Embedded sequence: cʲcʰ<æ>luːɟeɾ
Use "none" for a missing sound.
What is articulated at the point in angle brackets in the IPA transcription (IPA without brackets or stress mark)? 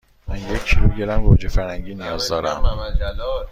i